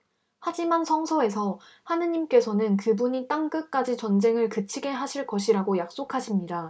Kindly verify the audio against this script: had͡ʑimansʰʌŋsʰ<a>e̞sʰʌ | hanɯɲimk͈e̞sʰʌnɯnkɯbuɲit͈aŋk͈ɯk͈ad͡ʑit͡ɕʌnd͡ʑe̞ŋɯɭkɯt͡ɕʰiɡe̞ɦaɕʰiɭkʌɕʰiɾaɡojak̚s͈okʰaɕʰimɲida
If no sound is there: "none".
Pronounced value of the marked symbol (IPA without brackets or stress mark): ʌ